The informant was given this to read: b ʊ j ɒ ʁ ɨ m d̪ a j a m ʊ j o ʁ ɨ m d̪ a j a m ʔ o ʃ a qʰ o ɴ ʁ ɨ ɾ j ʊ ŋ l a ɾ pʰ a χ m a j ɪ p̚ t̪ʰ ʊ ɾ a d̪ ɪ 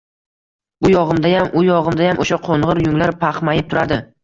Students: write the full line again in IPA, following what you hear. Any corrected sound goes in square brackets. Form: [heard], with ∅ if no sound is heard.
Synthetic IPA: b ʊ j ɒ ʁ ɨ m d̪ a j a m ʊ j [ɒ] ʁ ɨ m d̪ a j a m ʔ o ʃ a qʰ o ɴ ʁ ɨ ɾ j ʊ ŋ l a ɾ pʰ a χ m a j ɪ p̚ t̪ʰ ʊ ɾ a d̪ ɪ

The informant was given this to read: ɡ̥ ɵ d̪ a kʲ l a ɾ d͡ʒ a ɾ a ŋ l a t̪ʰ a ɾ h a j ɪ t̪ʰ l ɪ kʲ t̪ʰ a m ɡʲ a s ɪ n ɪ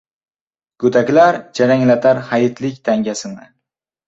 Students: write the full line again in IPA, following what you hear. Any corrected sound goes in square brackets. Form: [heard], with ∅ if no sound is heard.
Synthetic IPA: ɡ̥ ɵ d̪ a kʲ l a ɾ d͡ʒ a ɾ a ŋ l a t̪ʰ a ɾ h a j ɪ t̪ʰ l ɪ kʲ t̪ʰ a [ŋ] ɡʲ a s ɪ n ɪ

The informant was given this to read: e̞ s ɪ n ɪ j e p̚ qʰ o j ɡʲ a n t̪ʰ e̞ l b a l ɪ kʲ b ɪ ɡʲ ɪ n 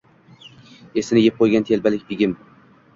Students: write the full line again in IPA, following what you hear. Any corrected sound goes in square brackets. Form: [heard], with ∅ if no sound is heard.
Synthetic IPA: e̞ s ɪ n ɪ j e p̚ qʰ o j ɡʲ a n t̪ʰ e̞ l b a l ɪ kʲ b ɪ ɡʲ ɪ [m]

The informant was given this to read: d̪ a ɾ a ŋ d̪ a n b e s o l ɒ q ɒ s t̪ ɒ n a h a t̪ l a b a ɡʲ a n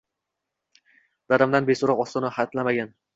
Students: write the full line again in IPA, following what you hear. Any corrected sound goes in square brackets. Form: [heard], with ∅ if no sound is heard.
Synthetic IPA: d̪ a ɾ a [m] d̪ a n b e s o [ɾ] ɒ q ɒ s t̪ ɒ n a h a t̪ l a [m] a ɡʲ a n

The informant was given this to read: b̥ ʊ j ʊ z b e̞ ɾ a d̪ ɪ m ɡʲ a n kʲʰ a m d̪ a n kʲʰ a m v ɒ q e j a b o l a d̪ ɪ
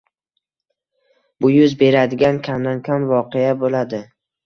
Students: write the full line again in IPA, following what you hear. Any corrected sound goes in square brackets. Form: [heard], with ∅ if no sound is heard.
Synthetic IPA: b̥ ʊ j ʊ z b e̞ ɾ a d̪ ɪ [∅] ɡʲ a n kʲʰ a m d̪ a n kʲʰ a m v ɒ q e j a b o l a d̪ ɪ

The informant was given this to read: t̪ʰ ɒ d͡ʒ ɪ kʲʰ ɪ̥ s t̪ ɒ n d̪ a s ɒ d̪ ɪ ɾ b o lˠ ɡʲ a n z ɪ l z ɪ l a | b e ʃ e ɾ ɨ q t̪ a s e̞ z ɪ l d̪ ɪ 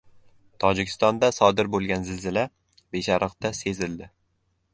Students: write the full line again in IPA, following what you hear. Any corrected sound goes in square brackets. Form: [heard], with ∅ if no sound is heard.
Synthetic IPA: t̪ʰ ɒ d͡ʒ ɪ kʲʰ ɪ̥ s t̪ ɒ n d̪ a s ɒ d̪ ɪ ɾ b o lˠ ɡʲ a n z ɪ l z ɪ l a | b e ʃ [a] ɾ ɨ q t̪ a s e̞ z ɪ l d̪ ɪ

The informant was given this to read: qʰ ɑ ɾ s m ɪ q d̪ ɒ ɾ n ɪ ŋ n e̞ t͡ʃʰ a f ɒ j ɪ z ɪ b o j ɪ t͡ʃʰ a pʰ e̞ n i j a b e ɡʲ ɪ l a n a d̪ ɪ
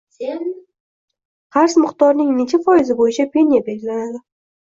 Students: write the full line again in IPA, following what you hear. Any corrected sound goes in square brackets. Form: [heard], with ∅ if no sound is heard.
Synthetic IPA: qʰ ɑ ɾ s m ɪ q [t̪] ɒ ɾ n ɪ ŋ n e̞ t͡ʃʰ a f ɒ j ɪ z ɪ b o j ɪ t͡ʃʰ a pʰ e̞ n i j a b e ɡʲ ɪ l a n a d̪ ɪ

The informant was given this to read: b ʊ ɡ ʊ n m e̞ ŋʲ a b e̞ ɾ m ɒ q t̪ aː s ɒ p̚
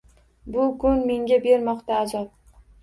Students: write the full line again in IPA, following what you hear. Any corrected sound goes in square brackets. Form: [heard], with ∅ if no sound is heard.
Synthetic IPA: b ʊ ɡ ʊ n m e̞ ŋʲ a b e̞ ɾ m ɒ q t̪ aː [z] ɒ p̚

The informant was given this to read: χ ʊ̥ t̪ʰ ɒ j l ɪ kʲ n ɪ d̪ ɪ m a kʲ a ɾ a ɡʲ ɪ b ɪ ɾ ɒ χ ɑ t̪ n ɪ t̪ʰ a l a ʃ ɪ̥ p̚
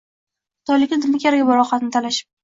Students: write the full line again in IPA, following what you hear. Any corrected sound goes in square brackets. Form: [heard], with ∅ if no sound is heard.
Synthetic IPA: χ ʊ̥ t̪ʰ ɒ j l ɪ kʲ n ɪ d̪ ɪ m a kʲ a ɾ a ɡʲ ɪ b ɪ ɾ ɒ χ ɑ t̪ n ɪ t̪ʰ a l a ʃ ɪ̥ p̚

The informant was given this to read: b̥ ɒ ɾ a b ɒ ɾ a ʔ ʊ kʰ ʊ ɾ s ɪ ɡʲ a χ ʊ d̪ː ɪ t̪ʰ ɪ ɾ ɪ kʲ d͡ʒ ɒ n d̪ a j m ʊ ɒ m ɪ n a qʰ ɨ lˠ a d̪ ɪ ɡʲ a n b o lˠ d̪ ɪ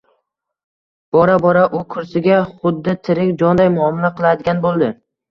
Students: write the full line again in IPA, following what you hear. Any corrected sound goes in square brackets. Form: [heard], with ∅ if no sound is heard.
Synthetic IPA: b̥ ɒ ɾ a b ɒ ɾ a ʔ ʊ kʰ ʊ ɾ s ɪ ɡʲ a χ ʊ d̪ː ɪ t̪ʰ ɪ ɾ ɪ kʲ d͡ʒ ɒ n d̪ a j m ʊ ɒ m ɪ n a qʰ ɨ lˠ a d̪ ɪ ɡʲ a n b o lˠ d̪ ɪ

